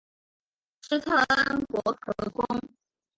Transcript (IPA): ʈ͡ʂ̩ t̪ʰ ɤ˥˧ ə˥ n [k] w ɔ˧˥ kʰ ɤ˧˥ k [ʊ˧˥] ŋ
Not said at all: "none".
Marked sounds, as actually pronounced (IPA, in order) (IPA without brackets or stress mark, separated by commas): k, ʊ˥